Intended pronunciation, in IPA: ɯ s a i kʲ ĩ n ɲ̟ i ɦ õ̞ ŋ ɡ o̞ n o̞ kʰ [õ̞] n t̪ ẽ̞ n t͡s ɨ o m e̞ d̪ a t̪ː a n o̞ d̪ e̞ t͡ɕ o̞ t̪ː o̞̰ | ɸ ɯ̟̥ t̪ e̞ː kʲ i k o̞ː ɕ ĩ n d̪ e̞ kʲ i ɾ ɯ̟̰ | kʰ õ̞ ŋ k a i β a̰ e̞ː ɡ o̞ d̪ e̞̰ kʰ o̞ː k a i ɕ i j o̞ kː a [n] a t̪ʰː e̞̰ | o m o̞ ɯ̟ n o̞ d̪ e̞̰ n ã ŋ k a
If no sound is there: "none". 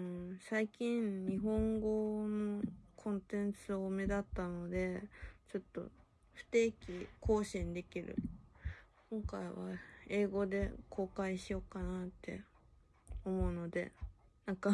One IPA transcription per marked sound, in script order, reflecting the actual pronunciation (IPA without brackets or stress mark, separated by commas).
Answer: õ̞, n